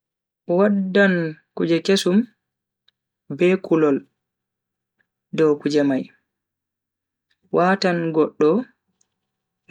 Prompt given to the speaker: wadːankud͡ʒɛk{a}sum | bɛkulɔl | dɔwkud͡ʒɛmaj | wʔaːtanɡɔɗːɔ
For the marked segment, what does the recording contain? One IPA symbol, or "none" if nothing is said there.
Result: e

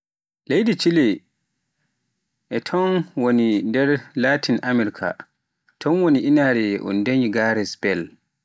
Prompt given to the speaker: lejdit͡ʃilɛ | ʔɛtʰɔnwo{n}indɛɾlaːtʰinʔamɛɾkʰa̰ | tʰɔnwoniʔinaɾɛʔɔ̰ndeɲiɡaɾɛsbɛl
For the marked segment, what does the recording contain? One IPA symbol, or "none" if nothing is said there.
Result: n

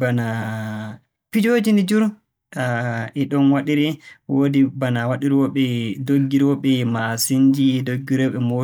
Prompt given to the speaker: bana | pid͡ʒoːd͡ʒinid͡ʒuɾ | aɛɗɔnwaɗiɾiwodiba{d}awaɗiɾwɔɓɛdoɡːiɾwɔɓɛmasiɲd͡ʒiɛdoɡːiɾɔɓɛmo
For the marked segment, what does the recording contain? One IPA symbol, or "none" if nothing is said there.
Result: n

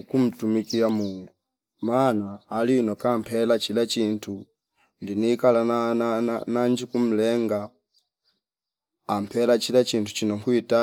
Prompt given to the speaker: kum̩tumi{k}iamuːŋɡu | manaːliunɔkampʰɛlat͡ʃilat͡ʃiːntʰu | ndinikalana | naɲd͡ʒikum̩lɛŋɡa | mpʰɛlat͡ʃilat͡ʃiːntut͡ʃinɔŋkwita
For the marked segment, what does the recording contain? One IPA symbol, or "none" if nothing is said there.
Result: k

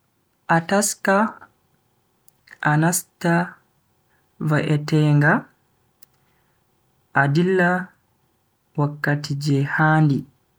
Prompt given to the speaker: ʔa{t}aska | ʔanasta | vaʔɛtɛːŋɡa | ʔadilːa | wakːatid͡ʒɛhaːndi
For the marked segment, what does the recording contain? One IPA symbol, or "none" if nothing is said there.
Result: t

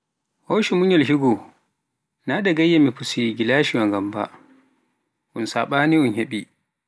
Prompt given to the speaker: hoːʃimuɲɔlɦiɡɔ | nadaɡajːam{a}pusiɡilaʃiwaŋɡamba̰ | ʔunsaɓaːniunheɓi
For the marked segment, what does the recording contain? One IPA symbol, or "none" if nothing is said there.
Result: i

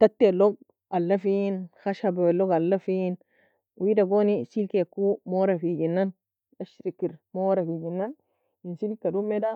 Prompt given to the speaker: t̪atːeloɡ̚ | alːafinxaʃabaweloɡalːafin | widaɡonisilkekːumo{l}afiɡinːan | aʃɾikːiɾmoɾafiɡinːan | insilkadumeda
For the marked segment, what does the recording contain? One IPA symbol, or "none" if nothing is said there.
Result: ɾ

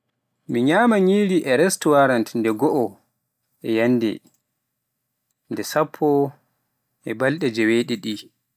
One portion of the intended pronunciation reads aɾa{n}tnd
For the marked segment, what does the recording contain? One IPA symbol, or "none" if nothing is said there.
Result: n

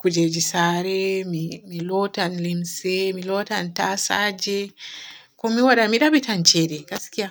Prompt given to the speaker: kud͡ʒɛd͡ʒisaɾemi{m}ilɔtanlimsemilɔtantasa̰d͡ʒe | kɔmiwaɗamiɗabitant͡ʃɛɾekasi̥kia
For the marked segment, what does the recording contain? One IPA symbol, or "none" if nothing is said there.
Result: m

